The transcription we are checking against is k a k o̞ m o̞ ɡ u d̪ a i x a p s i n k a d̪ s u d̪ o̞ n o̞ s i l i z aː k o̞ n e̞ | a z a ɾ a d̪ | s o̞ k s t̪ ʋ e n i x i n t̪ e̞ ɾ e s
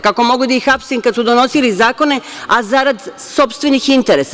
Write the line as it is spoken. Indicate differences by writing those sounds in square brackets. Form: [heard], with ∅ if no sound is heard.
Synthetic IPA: k a k o̞ m o̞ ɡ u d̪ a i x a p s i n k a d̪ s u d̪ o̞ n o̞ s i l i z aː k o̞ n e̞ | a z a ɾ a d̪ | s o̞ [p] s t̪ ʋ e n i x i n t̪ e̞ ɾ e s